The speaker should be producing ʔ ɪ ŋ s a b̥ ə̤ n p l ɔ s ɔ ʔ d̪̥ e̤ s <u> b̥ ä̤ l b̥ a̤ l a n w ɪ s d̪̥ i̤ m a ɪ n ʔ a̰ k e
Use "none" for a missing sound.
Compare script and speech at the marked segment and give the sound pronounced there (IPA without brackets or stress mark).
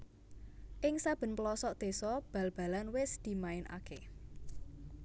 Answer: ɔ